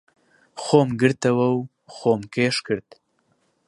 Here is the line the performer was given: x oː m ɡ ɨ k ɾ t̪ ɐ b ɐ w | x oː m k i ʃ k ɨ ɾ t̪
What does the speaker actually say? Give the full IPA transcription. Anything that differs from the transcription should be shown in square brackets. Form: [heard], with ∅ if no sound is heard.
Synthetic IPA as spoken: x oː m ɡ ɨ [∅] ɾ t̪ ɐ [w] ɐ w | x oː m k [e] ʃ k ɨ ɾ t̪